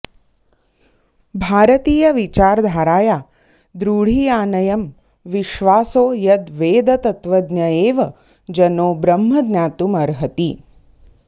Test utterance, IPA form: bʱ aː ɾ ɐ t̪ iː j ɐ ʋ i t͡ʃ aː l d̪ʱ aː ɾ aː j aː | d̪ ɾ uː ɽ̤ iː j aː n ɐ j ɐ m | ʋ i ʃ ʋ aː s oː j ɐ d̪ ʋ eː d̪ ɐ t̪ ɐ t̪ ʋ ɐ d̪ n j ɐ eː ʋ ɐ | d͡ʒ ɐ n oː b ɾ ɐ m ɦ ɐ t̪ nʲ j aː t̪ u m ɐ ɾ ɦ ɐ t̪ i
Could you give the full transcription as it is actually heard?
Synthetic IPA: bʱ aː ɾ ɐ t̪ iː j ɐ ʋ i t͡ʃ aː ɾ d̪ʱ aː ɾ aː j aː | d̪ ɾ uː ɽ̤ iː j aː n ɐ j ɐ m | ʋ i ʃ ʋ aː s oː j ɐ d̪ ʋ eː d̪ ɐ t̪ ɐ t̪ ʋ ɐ d̪ n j ɐ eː ʋ ɐ | d͡ʒ ɐ n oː b ɾ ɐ m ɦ ɐ d̪ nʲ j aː t̪ u m ɐ ɾ ɦ ɐ t̪ i